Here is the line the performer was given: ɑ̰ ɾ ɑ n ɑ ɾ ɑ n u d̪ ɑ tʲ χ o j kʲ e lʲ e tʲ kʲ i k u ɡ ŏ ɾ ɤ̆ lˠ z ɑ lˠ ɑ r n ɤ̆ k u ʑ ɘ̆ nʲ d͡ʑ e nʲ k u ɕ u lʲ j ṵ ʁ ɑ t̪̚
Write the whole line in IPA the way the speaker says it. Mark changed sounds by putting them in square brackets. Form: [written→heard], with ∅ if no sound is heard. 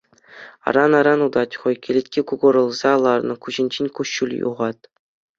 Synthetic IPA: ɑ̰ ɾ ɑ n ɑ ɾ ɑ n u d̪ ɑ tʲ χ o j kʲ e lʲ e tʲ kʲ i k u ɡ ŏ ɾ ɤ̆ lˠ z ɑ lˠ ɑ r n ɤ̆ k u ʑ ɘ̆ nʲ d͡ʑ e nʲ k u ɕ u lʲ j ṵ ʁ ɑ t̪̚